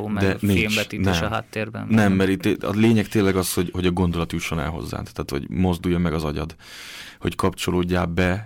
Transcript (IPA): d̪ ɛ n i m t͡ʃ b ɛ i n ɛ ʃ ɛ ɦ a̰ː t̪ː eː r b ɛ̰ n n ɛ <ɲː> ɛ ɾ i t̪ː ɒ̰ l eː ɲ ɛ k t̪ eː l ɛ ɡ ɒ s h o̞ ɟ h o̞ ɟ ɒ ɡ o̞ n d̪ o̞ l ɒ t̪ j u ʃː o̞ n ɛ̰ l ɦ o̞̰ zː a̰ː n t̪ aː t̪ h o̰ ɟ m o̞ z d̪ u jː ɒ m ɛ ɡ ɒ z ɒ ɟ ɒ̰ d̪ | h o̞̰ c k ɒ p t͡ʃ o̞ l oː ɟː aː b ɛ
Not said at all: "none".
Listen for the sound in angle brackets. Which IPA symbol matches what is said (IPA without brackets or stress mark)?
mː